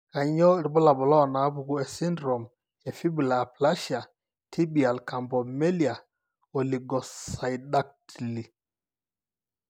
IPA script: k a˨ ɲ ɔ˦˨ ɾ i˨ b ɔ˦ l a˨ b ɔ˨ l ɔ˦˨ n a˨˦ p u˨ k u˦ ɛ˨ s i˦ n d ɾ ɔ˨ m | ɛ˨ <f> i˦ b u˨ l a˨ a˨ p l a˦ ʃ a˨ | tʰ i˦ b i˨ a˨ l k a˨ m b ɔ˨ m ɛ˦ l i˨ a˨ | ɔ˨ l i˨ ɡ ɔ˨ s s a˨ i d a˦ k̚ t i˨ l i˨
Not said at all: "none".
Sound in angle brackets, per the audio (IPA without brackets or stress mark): f